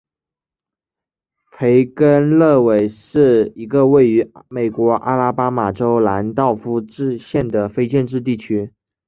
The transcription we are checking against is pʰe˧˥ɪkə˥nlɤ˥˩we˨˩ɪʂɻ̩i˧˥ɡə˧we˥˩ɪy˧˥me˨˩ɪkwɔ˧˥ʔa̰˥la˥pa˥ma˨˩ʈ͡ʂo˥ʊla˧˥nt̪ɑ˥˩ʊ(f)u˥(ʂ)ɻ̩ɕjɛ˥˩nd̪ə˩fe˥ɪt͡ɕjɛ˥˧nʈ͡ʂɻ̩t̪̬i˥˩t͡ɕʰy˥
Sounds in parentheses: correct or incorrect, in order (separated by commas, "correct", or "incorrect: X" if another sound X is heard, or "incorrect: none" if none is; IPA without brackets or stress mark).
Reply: correct, incorrect: ʈ͡ʂ